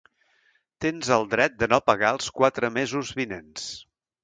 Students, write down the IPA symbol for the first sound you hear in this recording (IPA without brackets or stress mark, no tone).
t̪